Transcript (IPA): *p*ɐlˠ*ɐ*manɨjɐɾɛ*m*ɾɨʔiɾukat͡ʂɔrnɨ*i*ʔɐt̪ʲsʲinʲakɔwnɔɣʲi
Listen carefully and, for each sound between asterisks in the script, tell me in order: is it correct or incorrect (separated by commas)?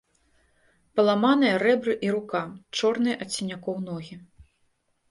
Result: correct, incorrect, incorrect, incorrect